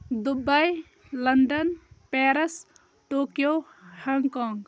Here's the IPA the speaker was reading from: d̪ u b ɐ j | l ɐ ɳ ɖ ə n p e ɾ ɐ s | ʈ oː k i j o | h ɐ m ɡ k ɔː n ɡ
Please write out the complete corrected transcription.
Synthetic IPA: d̪ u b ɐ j | l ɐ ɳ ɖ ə n p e ɾ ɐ s | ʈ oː k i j o | h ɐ ŋ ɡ k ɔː ŋ ɡ

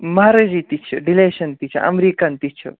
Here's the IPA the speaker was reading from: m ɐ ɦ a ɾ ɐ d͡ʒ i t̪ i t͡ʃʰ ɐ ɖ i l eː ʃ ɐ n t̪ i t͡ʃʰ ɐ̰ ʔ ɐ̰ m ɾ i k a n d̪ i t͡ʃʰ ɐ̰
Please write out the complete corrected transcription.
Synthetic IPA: m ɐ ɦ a ɾ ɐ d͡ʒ i t̪ i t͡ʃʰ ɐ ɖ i l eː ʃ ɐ n t̪ i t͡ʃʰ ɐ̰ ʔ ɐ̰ m ɾ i k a n t̪ i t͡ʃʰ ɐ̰

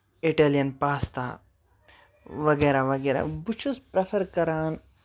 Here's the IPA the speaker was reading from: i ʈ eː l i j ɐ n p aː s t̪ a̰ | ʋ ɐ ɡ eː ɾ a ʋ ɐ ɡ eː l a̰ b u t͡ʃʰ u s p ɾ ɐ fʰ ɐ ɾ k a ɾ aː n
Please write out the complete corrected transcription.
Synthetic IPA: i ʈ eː l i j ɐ n p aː s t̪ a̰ | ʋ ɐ ɡ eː ɾ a ʋ ɐ ɡ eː ɾ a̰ b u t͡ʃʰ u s p ɾ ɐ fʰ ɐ ɾ k ɐ ɾ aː n

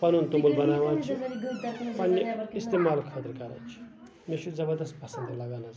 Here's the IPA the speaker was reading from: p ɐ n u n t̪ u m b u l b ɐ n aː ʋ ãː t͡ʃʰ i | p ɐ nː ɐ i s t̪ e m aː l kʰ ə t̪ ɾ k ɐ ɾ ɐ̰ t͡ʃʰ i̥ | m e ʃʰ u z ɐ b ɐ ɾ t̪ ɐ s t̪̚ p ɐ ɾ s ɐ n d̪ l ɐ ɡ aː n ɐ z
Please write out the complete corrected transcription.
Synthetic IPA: p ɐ n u n t̪ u m b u l b ɐ n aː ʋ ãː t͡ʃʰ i | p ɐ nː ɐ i s t̪ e m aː l kʰ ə t̪ ɾ k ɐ ɾ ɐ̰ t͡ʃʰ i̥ | m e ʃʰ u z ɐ b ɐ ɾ d̪ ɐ s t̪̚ p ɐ s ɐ n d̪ l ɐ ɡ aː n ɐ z

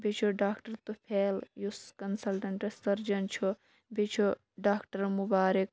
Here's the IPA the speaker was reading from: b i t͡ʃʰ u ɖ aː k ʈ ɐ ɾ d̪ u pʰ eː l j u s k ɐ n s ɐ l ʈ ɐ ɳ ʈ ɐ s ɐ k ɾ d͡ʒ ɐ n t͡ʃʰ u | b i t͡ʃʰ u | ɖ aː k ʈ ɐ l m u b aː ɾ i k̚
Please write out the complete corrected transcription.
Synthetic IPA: b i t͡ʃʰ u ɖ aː k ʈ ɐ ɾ t̪ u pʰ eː l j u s k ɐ n s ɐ l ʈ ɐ ɳ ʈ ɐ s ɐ ɾ d͡ʒ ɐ n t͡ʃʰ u | b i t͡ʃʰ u | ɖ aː k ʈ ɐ ɾ m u b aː ɾ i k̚

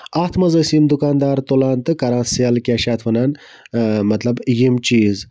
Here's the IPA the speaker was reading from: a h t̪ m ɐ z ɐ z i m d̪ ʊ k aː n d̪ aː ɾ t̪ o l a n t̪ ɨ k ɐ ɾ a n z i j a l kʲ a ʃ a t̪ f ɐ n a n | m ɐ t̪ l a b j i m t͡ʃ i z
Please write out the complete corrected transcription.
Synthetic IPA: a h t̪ m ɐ z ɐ s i m d̪ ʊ k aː n d̪ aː ɾ t̪ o l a n t̪ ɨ k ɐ ɾ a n s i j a l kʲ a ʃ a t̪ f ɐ n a n | m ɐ t̪ l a b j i m t͡ʃ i z

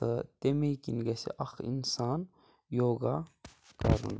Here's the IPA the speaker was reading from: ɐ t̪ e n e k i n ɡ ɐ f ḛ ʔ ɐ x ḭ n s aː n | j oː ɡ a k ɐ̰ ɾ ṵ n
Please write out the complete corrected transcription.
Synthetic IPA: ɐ t̪ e m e k i n ɡ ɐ s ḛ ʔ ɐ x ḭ n s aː n | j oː ɡ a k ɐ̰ ɾ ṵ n

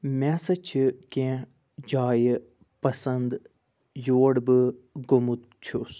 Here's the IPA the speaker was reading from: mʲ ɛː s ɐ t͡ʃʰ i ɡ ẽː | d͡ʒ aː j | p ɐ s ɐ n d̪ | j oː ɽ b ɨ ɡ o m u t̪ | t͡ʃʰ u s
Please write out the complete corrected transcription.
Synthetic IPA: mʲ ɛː s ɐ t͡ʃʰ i k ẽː | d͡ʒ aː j | p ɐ s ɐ n d̪ | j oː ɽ b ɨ ɡ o m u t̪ | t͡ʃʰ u s

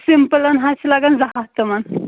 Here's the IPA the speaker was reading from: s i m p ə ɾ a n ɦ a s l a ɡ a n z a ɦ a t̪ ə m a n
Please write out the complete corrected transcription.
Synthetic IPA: s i m p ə l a n ɦ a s l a ɡ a n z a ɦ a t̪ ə m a n

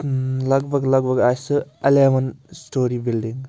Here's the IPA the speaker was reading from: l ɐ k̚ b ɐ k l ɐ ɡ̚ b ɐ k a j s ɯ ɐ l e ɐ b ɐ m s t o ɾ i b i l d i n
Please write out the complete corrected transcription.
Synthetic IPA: l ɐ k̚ b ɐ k l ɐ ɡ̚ b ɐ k a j s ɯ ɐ l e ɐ m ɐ n s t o ɾ i b i l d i ŋ

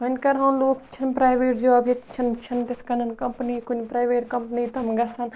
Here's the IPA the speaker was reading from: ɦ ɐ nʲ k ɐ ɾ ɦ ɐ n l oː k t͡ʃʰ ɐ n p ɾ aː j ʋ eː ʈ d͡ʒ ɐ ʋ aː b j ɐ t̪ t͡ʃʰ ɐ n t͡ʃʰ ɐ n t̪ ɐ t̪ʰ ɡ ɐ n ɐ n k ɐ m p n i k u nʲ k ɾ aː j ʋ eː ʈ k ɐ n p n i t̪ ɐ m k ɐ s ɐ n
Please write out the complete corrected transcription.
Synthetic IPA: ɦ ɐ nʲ k ɐ ɾ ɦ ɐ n l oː k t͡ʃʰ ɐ n p ɾ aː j ʋ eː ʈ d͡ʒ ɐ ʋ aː b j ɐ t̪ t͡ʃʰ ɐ n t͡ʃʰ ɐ n t̪ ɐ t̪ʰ k ɐ n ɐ n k ɐ m p n i k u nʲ p ɾ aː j ʋ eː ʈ k ɐ m p n i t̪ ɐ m ɡ ɐ s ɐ n

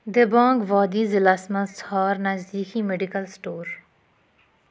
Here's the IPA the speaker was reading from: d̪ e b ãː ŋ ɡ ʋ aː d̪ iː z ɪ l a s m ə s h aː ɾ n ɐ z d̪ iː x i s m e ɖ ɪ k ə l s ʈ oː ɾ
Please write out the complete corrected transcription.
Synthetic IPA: d̪ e b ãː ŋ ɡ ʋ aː d̪ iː z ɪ l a s m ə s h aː ɾ n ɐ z d̪ iː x i m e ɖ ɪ k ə l s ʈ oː ɾ

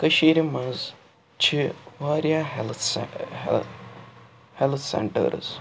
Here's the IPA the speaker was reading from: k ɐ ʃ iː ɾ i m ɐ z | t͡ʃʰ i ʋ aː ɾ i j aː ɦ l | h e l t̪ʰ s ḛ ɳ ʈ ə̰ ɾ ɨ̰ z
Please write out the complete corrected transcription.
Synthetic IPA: k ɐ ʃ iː ɾ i m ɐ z | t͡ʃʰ i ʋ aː ɾ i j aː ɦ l | h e l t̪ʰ s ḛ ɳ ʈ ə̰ ɾ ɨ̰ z

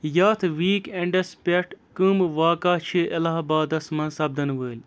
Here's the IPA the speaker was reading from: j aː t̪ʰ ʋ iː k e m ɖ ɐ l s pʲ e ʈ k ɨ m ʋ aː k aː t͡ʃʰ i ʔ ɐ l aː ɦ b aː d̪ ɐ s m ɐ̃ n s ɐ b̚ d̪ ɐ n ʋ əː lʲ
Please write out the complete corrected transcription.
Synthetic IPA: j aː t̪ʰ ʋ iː k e ɳ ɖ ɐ s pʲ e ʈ k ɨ m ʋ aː k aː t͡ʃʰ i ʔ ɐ l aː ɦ b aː d̪ ɐ s m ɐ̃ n s ɐ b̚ d̪ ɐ n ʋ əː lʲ

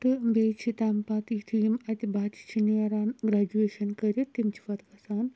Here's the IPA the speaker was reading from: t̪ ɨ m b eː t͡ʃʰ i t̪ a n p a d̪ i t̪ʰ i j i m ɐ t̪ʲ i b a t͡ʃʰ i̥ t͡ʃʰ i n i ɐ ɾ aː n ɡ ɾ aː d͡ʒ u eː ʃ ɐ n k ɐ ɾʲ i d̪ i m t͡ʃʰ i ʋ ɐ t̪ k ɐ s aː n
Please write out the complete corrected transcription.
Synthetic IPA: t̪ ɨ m b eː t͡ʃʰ i t̪ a m p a t̪ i t̪ʰ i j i m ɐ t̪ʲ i b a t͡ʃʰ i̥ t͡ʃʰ i n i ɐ ɾ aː n ɡ ɾ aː d͡ʒ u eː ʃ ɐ n k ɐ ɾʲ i t̪ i m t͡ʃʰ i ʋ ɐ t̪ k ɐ s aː n

